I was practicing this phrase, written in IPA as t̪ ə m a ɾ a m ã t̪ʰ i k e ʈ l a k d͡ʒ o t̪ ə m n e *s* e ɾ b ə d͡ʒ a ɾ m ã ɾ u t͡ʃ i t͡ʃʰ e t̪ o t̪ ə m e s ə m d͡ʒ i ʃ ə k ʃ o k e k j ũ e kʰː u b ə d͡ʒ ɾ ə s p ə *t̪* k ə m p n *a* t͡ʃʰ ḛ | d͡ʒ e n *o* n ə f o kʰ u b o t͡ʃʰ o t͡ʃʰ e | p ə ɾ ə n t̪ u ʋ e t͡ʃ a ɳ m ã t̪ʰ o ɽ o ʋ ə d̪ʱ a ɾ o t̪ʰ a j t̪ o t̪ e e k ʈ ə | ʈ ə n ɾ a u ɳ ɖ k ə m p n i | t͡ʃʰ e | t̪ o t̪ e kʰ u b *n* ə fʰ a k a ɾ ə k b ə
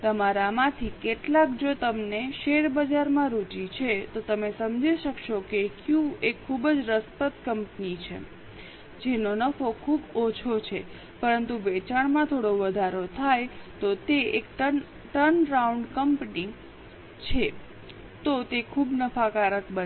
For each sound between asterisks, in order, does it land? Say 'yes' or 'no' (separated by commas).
no, yes, no, yes, yes